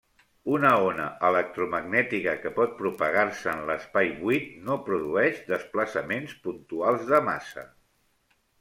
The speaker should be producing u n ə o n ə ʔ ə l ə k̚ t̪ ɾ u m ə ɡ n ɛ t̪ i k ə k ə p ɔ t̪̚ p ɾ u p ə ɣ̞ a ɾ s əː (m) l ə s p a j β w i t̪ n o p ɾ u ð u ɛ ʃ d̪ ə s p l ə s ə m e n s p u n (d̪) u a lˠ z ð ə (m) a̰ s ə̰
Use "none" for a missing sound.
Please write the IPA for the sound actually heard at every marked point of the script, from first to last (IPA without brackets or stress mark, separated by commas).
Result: n, t̪, m